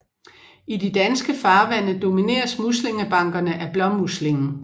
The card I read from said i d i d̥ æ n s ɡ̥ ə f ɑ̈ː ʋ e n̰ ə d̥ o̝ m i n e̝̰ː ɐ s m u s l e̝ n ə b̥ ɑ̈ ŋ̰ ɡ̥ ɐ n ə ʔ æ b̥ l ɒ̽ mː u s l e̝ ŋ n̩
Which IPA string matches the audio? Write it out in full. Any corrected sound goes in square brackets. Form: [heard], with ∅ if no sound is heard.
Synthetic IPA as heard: i d i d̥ æ n s ɡ̥ ə f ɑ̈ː ʋ [æ] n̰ ə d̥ o̝ m i n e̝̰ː ɐ s m u s l e̝ [ŋ] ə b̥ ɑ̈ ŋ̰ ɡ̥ ɐ n ə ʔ æ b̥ l ɒ̽ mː u s l e̝ ŋ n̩